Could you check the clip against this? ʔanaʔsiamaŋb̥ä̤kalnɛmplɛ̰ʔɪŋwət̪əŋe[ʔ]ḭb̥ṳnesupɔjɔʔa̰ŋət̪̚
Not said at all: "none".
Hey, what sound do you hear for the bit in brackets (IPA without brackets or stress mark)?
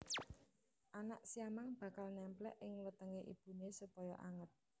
ʔ